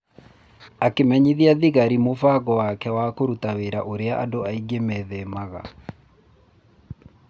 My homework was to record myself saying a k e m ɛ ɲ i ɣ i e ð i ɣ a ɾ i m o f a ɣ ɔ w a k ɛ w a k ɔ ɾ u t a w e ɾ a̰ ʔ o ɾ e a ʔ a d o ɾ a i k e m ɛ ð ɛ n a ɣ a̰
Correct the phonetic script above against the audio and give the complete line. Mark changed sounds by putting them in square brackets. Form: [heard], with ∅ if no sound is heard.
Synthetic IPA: a k e m ɛ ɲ i [ð] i [a] ð i ɣ a ɾ i m o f a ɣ ɔ w a k ɛ w a k [o] ɾ u t a w e ɾ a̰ ʔ o ɾ e a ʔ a d o [∅] a i [ɡ] e m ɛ ð ɛ [m] a ɣ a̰